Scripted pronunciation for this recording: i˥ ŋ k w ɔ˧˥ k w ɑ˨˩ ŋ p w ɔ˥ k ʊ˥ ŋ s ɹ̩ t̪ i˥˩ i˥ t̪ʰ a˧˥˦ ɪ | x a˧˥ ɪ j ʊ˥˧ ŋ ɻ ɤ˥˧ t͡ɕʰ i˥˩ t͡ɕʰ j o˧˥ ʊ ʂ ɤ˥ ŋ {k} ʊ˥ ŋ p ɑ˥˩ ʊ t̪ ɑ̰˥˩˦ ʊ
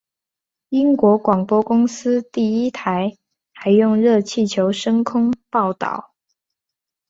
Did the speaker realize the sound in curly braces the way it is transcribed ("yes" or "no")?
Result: no